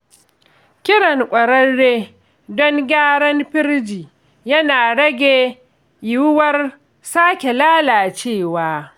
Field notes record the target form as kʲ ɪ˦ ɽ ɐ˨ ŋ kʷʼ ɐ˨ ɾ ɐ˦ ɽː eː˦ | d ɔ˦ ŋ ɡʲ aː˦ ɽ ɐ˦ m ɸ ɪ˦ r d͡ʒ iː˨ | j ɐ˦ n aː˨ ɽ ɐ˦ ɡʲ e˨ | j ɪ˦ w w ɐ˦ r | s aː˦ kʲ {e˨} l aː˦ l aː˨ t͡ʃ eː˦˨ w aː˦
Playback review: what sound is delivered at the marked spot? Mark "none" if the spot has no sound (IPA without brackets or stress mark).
e˨